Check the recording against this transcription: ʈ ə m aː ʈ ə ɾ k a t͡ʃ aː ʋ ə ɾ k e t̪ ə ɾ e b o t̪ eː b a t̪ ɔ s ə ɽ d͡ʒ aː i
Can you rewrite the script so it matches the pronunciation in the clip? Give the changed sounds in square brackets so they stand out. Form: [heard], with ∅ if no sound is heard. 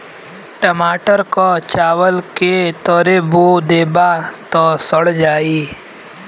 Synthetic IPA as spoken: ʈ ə m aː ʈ ə ɾ k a t͡ʃ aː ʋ ə [l] k e t̪ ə ɾ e b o [d̪] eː b a t̪ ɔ s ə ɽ d͡ʒ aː i